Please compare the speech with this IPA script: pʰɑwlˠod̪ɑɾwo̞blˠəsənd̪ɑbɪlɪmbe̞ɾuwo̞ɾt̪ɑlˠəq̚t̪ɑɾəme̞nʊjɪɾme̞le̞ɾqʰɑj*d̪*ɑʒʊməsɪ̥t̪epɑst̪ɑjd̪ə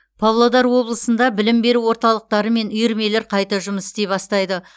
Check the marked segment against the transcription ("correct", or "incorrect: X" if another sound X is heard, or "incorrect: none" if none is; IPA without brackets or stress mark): incorrect: t̪